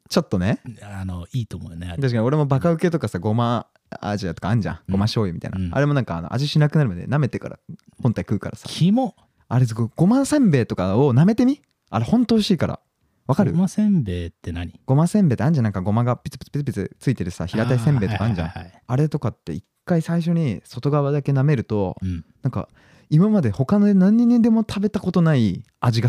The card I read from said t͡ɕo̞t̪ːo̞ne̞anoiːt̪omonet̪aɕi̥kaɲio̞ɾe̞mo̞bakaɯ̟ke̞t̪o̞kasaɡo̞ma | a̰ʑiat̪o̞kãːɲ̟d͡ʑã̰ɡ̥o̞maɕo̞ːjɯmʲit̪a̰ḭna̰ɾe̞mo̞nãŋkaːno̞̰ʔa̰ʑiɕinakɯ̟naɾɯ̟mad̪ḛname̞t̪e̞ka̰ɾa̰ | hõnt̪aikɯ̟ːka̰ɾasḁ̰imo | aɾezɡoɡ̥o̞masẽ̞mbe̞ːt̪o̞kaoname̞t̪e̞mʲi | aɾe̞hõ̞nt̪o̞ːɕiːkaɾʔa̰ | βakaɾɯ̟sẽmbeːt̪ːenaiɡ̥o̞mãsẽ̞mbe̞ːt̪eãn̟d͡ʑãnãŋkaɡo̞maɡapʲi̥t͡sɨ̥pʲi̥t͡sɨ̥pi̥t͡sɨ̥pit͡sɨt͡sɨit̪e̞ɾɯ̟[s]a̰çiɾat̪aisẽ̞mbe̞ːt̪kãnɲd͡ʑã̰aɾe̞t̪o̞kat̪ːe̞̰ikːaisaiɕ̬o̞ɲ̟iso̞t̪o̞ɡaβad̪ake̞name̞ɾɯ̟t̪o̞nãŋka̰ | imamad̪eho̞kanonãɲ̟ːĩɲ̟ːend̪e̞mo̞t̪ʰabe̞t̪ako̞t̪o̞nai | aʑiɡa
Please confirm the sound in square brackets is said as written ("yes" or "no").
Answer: yes